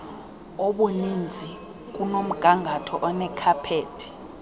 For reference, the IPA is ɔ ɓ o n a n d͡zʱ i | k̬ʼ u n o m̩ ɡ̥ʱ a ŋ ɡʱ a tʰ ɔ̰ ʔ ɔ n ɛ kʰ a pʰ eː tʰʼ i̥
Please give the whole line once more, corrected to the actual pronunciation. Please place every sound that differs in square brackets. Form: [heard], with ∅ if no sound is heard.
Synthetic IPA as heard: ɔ ɓ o n [i] n d͡zʱ i | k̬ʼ u n o m̩ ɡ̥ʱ a ŋ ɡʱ a tʰ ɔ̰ ʔ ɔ n ɛ kʰ a pʰ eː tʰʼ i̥